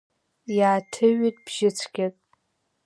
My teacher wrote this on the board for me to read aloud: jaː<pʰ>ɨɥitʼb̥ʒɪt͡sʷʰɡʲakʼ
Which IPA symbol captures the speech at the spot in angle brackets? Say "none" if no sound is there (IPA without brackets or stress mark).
tʰ